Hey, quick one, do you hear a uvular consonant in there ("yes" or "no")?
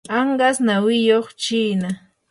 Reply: yes